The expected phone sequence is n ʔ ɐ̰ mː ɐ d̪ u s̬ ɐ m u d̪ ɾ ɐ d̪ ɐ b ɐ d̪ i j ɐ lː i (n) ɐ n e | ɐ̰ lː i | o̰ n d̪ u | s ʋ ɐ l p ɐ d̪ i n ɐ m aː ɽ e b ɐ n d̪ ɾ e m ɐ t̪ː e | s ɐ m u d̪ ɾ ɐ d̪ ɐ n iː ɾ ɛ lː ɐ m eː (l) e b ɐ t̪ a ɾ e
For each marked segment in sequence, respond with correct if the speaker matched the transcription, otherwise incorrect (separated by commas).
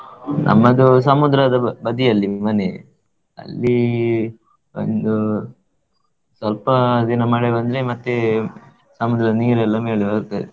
incorrect, incorrect